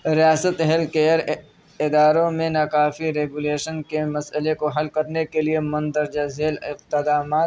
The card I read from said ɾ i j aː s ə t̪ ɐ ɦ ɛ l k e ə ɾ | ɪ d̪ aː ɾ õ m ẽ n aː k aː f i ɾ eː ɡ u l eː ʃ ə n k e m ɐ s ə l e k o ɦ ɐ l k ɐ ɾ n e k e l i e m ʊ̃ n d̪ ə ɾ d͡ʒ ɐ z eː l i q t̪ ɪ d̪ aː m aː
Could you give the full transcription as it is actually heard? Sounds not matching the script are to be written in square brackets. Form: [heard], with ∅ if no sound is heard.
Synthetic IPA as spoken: ɾ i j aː s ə t̪ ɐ ɦ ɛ l k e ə ɾ | ɪ d̪ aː ɾ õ m ẽ n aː k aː f i ɾ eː ɡ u l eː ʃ ə n k e m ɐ s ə l e k o ɦ ɐ l k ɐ ɾ n e k e l i e m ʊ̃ n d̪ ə ɾ d͡ʒ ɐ z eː l [ɪ] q t̪ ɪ d̪ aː m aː